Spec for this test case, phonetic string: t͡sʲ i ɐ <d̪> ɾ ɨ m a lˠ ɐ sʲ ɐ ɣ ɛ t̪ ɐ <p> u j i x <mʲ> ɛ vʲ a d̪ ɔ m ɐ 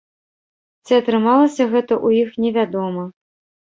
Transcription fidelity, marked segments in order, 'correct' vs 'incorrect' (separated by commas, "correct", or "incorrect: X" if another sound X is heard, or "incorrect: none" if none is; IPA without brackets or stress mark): incorrect: t̪, incorrect: ʔ, incorrect: nʲ